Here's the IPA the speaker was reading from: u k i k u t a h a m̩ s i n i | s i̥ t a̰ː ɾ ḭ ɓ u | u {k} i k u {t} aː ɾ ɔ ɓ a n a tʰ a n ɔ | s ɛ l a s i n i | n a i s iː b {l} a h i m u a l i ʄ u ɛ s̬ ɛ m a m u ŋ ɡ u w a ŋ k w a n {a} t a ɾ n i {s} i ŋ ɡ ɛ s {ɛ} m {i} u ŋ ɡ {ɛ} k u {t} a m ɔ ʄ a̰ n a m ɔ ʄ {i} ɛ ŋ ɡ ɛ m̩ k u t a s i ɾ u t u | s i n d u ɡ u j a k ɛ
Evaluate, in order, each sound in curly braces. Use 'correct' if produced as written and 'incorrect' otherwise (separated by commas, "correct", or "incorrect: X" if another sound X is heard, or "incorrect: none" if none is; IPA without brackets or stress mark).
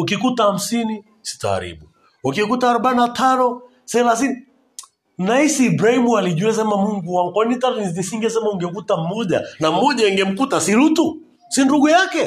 correct, correct, incorrect: ɾ, incorrect: i, correct, correct, incorrect: a, correct, correct, incorrect: a